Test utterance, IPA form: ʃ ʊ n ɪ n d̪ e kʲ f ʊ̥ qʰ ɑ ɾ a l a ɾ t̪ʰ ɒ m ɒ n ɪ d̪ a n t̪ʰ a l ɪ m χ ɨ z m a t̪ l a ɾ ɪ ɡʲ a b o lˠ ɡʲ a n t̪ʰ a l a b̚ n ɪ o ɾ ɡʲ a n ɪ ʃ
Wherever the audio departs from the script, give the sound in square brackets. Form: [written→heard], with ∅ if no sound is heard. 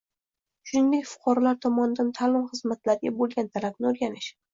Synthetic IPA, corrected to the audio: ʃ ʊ n ɪ n d̪ e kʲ f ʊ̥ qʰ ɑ ɾ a l a ɾ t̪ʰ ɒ m ɒ n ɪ d̪ a n t̪ʰ a l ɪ m χ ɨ z m a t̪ l a ɾ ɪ ɡʲ a b o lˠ ɡʲ a n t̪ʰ a l a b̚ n ɪ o ɾ ɡʲ a n ɪ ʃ